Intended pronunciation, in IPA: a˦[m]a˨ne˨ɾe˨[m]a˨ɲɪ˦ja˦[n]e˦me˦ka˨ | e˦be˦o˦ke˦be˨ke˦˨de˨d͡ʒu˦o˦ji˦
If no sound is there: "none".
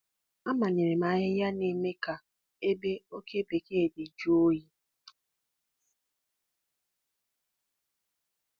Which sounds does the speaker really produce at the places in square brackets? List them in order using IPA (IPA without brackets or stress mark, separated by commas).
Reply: m, m, n